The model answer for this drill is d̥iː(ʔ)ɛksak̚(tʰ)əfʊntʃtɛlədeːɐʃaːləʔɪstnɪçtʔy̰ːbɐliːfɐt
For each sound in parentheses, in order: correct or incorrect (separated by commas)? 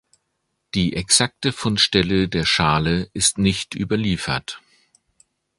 correct, incorrect